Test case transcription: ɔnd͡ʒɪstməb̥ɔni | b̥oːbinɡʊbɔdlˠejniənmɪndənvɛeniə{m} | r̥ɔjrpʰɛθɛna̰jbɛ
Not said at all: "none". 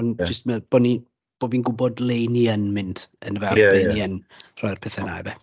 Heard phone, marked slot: n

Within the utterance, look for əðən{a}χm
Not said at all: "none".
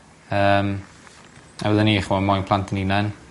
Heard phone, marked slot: i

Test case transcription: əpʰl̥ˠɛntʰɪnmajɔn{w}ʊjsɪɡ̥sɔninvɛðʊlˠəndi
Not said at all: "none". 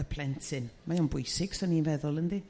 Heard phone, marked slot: b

